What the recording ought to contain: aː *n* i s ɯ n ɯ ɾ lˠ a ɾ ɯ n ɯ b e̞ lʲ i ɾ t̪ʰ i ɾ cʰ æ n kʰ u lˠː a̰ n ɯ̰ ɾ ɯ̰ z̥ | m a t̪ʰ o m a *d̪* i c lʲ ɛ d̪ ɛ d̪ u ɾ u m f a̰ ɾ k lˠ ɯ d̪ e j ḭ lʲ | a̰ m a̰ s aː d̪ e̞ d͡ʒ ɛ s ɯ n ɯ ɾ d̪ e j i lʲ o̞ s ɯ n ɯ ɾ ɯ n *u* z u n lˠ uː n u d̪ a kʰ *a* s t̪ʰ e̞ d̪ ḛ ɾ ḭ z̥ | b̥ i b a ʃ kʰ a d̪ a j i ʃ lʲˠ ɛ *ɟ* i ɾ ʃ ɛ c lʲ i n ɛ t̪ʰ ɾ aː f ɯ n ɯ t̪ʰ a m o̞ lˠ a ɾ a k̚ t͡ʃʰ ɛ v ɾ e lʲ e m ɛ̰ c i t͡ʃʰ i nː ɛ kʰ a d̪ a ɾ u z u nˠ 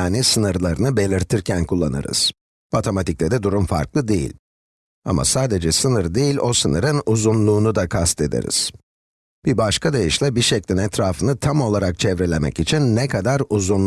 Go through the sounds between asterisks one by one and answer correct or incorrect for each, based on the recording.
correct, incorrect, correct, correct, incorrect

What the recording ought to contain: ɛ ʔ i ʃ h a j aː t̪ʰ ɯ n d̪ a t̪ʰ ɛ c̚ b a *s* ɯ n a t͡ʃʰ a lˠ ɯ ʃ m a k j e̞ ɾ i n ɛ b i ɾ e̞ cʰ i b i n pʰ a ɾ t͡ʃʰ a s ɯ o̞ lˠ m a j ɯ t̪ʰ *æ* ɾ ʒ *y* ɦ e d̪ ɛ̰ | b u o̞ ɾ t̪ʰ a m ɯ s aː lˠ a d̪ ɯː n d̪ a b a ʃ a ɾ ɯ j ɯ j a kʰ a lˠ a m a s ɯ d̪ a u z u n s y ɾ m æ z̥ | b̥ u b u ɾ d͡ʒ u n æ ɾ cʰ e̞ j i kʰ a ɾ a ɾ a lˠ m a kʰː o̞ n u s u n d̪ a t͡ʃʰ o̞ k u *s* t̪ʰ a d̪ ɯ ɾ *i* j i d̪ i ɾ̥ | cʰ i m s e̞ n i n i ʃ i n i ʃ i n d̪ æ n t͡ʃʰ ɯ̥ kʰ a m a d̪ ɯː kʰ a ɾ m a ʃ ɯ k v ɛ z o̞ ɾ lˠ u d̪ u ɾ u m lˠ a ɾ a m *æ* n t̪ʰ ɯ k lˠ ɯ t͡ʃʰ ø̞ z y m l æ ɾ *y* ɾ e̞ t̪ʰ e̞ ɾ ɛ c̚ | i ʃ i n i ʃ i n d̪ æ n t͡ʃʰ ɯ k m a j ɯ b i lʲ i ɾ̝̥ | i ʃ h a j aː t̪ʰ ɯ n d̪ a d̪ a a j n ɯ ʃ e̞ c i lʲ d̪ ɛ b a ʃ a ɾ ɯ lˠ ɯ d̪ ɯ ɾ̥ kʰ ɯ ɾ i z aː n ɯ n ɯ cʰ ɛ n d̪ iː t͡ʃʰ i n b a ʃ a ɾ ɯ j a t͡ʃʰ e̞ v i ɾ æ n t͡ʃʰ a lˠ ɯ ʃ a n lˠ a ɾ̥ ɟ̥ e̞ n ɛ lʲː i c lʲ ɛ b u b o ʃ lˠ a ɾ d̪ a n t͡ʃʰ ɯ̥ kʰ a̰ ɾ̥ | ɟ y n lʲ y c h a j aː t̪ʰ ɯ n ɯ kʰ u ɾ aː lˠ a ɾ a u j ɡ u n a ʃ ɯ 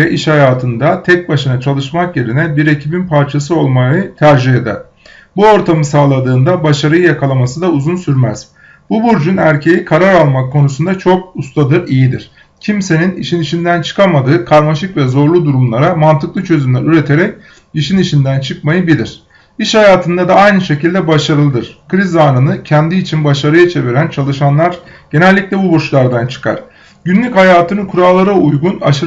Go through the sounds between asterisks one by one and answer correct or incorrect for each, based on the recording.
incorrect, correct, incorrect, correct, correct, incorrect, correct

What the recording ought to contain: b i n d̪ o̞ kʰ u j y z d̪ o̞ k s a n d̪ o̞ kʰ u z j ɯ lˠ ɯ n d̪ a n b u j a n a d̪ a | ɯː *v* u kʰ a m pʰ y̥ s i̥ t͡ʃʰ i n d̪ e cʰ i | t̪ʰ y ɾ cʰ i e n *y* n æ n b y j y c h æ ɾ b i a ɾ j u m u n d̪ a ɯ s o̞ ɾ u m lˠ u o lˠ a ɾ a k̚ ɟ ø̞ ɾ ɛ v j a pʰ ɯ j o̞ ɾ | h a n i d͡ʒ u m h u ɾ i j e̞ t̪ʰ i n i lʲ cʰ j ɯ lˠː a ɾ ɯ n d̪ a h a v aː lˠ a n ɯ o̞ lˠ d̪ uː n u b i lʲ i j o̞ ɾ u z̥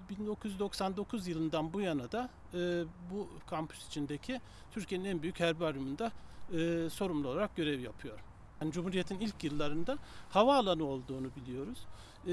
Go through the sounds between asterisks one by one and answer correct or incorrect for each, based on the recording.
incorrect, incorrect

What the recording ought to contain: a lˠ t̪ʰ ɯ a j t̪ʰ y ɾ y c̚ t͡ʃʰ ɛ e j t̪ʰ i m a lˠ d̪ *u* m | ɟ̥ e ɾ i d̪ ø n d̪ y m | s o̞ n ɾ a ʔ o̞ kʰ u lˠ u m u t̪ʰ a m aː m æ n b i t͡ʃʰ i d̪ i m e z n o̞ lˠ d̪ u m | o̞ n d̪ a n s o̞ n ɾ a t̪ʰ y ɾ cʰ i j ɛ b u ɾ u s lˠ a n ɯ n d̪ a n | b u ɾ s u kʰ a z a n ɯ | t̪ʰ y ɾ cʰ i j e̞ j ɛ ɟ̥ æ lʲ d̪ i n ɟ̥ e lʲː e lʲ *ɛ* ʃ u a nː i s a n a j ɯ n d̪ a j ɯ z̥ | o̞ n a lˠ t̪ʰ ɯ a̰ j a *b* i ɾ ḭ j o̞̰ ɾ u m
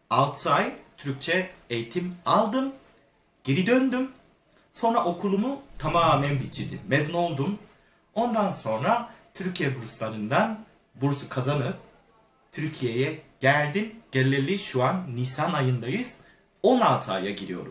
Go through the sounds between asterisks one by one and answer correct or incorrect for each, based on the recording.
incorrect, incorrect, incorrect

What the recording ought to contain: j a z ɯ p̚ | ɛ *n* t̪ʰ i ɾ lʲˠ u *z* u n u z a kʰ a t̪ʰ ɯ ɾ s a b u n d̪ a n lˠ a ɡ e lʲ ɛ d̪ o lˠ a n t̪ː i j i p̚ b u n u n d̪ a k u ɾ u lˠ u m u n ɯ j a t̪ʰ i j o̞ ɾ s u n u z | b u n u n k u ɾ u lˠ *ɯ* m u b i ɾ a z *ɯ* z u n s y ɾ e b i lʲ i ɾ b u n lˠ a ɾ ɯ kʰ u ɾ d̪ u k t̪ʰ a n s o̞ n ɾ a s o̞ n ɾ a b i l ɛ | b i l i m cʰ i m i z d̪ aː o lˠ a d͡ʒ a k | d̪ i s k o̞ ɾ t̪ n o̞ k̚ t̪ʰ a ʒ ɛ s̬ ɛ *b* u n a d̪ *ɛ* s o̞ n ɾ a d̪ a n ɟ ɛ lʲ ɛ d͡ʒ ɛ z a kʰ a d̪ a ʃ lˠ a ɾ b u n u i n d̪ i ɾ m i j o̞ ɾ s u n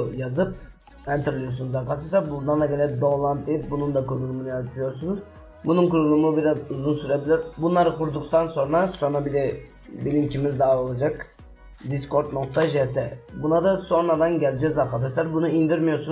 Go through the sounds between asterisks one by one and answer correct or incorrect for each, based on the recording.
correct, incorrect, incorrect, incorrect, correct, incorrect

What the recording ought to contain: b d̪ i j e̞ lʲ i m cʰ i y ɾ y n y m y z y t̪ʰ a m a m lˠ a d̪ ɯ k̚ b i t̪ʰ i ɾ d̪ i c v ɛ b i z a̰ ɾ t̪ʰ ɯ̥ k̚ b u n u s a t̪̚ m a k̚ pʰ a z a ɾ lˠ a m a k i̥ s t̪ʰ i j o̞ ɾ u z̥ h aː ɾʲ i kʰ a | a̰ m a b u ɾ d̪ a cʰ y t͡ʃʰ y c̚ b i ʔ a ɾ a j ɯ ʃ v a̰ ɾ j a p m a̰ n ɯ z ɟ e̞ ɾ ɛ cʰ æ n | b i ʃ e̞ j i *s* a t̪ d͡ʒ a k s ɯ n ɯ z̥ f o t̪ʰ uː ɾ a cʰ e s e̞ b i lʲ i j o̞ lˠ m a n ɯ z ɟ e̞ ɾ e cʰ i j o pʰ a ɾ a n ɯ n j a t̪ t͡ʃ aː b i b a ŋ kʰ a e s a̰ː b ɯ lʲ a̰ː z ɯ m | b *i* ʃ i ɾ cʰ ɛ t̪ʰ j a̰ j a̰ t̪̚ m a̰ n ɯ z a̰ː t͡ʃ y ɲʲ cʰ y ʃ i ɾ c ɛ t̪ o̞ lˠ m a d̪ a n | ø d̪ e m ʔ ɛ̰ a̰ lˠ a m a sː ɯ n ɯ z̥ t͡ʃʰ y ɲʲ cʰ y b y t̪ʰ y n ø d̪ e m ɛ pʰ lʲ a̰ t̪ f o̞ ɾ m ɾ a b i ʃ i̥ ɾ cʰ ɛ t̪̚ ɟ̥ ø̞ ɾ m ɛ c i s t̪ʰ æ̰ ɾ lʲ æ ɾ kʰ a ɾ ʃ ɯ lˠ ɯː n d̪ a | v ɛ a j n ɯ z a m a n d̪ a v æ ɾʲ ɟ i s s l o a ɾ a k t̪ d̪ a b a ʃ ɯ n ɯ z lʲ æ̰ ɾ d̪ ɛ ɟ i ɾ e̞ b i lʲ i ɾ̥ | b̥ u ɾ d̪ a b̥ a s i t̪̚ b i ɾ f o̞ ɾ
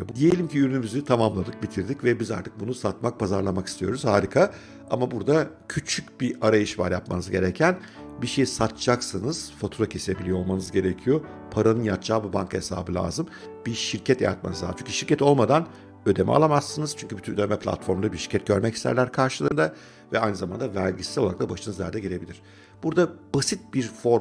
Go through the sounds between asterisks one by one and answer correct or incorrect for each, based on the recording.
correct, correct

